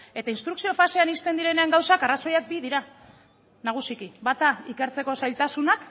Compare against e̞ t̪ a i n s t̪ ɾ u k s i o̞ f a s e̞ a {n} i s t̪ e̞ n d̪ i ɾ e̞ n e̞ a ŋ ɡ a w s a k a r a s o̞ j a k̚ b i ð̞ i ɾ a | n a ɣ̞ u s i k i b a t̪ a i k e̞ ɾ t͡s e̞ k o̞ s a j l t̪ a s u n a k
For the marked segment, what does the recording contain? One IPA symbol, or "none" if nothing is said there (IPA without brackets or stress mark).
n